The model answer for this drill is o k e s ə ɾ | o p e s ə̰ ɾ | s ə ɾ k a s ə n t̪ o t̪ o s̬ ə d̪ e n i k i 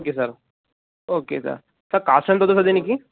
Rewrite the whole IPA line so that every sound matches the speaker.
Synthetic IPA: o k e s ə ɾ | o k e s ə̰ ɾ | s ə ɾ k a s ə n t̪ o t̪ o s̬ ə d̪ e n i k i